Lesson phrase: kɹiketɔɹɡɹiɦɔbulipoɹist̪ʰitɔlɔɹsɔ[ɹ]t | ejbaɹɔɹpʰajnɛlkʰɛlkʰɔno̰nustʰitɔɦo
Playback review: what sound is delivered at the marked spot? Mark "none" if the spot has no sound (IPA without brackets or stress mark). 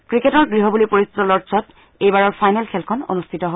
none